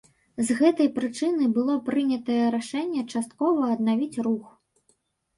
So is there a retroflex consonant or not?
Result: yes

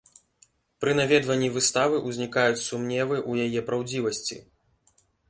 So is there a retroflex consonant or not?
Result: no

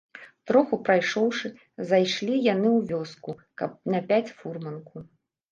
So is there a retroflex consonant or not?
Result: yes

